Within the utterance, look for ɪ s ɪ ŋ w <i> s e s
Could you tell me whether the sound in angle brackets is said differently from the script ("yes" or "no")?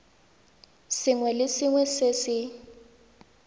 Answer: yes